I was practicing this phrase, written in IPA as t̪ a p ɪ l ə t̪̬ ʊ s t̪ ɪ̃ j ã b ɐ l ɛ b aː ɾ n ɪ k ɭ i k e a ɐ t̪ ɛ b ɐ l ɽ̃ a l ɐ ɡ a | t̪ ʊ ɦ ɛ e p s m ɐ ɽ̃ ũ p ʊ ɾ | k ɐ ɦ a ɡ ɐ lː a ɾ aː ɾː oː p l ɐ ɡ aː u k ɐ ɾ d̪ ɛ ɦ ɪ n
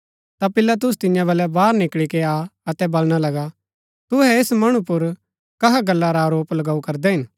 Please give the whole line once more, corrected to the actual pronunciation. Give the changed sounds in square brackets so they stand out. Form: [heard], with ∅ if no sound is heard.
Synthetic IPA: t̪ a p ɪ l [a] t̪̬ ʊ s t̪ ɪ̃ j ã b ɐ l ɛ b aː ɾ n ɪ k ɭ i k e a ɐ t̪ ɛ b ɐ l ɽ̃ a l ɐ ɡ a | t̪ ʊ ɦ ɛ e [∅] s m ɐ ɽ̃ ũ p ʊ ɾ | k ɐ ɦ a ɡ ɐ lː a ɾ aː [ɾ] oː p l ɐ ɡ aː u k ɐ ɾ d̪ ɛ ɦ ɪ n